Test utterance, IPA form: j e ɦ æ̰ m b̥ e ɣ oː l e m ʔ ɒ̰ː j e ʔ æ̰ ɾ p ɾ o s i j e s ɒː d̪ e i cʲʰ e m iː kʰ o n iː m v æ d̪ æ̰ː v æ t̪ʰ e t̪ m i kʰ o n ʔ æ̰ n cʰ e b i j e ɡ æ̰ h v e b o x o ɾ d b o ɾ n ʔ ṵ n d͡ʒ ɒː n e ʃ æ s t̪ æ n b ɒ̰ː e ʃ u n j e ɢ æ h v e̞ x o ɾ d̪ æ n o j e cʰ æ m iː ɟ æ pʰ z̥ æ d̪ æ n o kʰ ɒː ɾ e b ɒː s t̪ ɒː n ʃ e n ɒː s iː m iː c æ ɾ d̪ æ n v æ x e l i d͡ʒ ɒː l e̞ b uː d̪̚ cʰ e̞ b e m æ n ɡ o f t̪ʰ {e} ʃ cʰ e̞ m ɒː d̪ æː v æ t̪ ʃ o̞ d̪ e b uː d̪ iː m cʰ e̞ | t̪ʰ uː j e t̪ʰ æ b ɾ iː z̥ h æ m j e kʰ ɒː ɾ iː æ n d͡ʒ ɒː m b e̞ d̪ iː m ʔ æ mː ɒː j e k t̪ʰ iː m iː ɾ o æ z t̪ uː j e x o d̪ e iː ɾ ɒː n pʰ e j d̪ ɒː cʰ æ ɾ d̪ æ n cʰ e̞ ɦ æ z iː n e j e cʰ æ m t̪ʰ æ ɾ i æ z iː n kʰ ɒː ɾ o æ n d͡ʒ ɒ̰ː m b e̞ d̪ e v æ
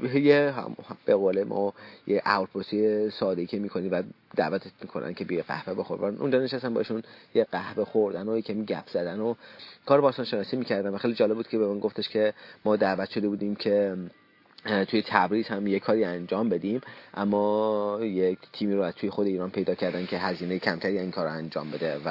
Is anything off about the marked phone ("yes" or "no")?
no